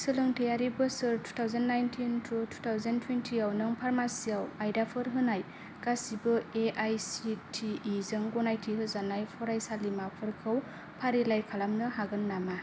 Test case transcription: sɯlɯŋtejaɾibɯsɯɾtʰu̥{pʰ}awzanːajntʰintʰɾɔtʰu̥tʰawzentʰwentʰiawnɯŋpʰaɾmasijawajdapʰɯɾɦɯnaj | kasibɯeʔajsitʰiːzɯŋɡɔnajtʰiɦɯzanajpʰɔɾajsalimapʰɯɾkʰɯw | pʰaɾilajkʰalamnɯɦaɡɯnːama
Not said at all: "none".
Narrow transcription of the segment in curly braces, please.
tʰ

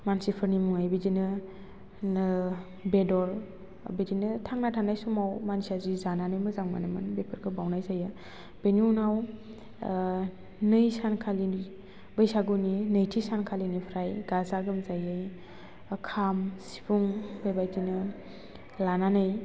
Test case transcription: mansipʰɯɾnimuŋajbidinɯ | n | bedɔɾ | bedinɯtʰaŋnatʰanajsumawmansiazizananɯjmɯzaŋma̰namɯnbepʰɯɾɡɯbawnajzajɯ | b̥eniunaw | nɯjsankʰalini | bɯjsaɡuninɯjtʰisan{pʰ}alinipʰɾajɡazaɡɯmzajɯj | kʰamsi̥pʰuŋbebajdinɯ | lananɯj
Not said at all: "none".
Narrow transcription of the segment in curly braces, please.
kʰ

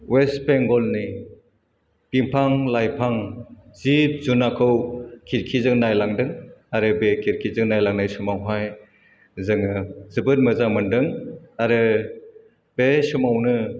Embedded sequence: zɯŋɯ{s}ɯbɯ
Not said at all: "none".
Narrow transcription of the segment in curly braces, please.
z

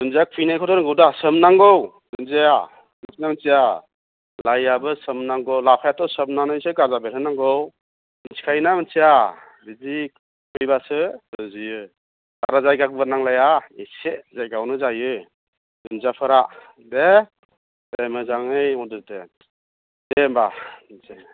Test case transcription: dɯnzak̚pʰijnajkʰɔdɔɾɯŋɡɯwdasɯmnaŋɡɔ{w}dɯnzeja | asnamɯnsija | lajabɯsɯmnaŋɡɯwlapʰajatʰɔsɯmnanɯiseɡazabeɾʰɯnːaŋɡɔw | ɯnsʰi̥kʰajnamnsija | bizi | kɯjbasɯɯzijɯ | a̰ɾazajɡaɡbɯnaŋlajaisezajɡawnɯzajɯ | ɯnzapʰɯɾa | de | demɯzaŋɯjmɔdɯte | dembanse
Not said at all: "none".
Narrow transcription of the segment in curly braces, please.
w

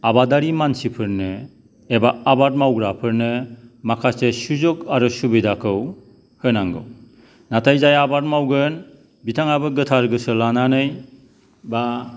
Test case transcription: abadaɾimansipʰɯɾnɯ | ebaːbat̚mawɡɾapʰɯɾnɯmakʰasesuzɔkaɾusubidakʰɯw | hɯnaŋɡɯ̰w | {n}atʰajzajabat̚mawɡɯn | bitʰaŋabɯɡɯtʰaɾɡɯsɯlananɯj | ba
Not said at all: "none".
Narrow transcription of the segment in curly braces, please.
n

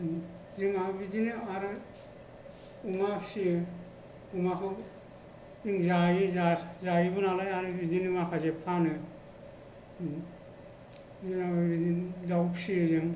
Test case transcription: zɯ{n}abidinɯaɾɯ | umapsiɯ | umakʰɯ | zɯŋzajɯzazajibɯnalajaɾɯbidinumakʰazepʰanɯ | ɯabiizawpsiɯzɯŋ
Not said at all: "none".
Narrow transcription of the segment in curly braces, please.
ŋ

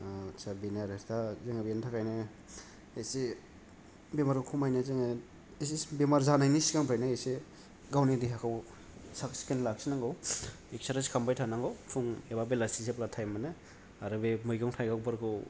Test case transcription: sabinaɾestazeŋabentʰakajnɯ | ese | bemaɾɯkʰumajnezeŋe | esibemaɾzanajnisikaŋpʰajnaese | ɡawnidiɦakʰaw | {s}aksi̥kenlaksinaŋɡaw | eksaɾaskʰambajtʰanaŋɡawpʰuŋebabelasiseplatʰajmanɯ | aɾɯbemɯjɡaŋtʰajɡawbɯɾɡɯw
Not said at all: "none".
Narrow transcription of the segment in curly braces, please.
s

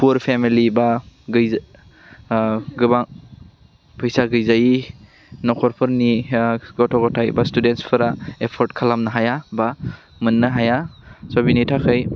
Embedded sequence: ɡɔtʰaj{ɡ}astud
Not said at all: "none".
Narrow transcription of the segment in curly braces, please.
b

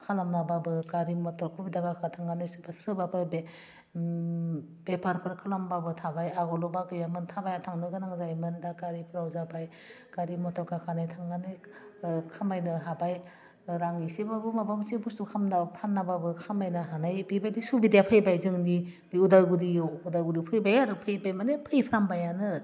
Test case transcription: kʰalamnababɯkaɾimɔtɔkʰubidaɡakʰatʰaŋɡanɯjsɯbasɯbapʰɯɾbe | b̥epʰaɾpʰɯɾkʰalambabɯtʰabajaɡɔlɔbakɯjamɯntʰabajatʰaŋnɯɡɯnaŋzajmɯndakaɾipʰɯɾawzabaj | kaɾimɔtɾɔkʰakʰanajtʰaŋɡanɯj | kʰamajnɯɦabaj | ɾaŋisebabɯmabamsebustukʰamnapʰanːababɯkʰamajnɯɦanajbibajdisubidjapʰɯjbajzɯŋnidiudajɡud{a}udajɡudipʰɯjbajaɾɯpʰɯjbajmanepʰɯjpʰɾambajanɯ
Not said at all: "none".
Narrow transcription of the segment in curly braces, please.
i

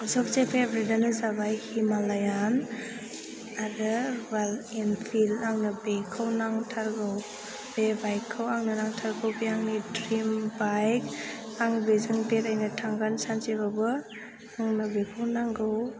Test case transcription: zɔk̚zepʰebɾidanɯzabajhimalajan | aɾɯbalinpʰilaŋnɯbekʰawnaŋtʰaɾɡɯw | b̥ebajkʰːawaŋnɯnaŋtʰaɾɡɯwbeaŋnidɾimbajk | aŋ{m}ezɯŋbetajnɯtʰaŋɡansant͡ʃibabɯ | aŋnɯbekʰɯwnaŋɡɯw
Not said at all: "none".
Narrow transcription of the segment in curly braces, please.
b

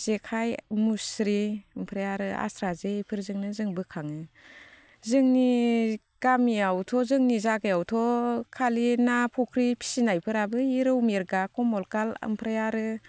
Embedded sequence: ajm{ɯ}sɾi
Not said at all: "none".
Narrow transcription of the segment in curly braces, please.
u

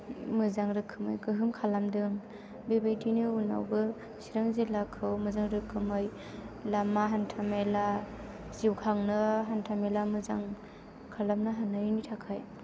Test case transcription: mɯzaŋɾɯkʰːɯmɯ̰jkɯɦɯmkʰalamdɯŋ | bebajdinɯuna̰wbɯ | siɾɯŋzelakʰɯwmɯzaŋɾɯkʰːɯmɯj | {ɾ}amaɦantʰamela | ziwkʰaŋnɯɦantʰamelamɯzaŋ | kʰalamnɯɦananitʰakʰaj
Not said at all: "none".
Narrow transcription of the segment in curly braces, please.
l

